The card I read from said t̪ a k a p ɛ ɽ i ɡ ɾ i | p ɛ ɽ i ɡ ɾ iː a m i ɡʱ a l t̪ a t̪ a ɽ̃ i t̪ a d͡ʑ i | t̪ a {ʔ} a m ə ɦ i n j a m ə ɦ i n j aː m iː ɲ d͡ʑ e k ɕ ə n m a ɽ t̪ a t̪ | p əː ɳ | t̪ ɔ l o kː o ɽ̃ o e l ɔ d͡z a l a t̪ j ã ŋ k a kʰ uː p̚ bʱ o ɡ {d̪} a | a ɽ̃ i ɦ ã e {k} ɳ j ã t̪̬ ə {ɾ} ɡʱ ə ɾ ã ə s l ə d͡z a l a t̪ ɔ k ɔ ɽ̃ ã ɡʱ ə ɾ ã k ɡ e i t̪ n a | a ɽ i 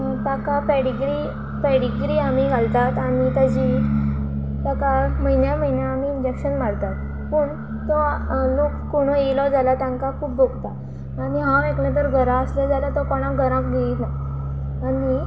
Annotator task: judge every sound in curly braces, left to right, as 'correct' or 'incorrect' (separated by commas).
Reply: incorrect, incorrect, correct, correct